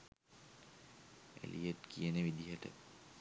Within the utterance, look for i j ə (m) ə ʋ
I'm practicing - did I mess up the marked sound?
yes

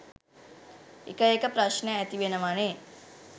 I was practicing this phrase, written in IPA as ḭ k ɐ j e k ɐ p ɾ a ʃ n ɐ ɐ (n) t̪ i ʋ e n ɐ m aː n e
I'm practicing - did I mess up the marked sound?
yes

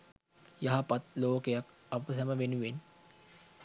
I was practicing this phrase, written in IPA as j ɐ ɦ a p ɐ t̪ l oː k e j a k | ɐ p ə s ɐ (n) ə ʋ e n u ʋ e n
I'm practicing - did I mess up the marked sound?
yes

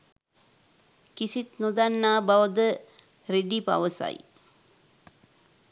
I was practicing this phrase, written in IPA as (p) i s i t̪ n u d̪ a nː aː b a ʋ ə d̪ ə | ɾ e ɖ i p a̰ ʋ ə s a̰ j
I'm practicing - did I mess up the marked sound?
yes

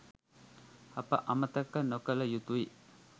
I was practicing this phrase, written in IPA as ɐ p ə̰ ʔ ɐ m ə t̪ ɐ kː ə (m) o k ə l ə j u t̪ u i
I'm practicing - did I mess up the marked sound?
yes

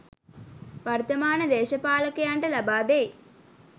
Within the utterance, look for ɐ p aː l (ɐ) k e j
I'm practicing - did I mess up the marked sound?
no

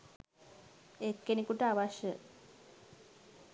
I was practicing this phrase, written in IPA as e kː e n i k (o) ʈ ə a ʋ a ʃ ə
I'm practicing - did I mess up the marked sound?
yes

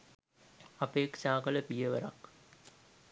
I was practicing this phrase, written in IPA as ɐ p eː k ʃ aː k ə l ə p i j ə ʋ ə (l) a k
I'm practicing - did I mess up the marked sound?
yes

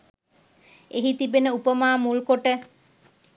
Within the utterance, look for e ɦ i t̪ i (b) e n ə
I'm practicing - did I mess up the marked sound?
no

